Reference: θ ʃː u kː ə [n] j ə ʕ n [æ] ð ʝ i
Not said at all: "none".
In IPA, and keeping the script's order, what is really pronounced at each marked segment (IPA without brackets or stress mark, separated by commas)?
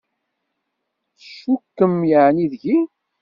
m, i